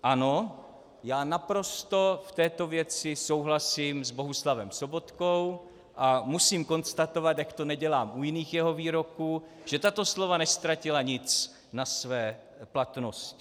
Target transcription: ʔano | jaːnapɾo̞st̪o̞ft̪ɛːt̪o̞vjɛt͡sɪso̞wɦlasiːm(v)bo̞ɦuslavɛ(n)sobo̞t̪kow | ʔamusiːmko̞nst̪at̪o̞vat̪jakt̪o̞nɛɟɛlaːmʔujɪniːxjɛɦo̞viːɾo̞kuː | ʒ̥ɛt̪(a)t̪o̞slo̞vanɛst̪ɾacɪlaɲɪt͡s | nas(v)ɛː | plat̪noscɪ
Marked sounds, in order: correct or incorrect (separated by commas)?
incorrect, incorrect, correct, correct